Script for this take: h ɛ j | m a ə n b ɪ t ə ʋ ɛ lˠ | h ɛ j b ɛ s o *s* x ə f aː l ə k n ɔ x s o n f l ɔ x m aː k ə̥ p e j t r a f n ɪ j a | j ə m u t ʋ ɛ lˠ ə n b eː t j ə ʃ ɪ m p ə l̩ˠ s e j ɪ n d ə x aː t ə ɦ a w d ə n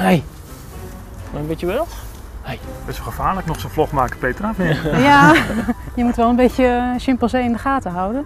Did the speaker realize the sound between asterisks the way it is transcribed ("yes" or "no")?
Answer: no